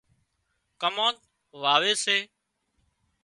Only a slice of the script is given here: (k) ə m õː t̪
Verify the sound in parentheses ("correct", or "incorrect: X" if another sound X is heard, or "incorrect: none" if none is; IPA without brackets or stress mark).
correct